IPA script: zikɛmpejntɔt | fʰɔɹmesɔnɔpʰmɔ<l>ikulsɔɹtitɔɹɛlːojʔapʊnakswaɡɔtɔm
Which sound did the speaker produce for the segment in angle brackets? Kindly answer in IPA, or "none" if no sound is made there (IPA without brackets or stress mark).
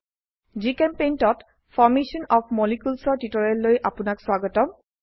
l